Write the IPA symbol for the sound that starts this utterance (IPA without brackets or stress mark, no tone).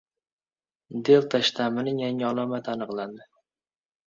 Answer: d̪